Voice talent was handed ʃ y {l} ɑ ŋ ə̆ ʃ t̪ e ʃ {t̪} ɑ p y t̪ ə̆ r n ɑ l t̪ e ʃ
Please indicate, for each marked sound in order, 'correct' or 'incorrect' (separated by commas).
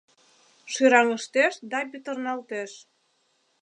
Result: incorrect, incorrect